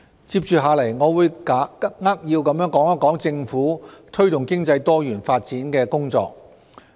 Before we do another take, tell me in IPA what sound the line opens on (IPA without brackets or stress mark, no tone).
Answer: t͡s